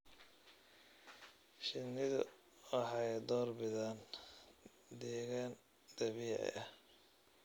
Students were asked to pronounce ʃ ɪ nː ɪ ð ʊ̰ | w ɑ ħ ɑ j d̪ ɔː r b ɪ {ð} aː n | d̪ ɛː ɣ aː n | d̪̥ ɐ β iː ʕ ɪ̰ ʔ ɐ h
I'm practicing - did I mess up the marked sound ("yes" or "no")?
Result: no